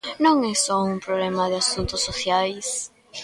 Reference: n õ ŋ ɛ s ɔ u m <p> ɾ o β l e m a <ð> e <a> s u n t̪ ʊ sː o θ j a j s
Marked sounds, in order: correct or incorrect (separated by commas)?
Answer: correct, correct, correct